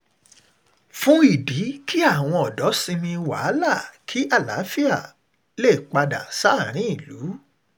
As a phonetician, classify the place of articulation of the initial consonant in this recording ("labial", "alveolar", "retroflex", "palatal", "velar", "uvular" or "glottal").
labial